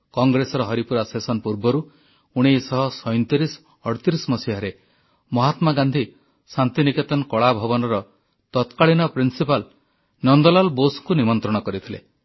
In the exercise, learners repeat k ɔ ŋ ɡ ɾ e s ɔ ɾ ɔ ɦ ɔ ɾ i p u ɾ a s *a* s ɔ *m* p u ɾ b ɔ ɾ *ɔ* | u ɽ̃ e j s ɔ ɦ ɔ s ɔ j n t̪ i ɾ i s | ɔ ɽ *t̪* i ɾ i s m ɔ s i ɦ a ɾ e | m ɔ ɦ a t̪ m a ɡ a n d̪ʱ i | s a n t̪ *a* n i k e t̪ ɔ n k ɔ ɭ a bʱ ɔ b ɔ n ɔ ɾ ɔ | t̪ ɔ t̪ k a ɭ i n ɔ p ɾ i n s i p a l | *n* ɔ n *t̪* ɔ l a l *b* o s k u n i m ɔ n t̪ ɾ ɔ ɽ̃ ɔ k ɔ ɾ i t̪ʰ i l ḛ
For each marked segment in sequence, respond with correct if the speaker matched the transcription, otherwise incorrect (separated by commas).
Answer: incorrect, incorrect, incorrect, correct, incorrect, correct, incorrect, correct